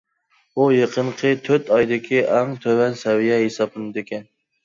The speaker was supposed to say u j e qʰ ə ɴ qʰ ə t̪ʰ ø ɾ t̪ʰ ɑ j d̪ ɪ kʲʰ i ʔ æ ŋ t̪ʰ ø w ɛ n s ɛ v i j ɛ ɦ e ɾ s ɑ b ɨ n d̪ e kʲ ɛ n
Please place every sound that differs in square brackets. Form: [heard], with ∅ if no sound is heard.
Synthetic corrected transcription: u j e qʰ ə ɴ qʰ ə t̪ʰ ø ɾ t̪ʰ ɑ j d̪ ɪ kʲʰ i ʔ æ ŋ t̪ʰ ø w ɛ n s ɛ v i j ɛ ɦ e [∅] s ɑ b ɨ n d̪ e kʲ ɛ n